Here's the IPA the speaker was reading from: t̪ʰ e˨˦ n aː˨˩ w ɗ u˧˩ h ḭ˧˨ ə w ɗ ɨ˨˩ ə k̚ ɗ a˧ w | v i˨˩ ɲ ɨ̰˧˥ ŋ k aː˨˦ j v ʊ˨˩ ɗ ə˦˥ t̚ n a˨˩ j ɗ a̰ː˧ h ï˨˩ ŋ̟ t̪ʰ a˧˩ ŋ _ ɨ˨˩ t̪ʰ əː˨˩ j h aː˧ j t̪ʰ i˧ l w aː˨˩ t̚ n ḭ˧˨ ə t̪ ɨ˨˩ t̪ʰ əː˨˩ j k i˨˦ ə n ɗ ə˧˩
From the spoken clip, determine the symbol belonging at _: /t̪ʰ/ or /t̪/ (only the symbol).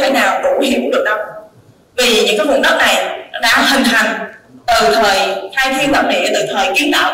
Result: t̪